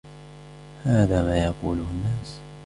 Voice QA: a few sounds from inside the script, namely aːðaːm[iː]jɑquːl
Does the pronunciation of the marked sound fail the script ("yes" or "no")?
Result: yes